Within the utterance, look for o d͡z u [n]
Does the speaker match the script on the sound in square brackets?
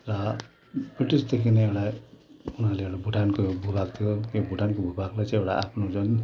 yes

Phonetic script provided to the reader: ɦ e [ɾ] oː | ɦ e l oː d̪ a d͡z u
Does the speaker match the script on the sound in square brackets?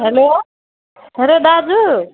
no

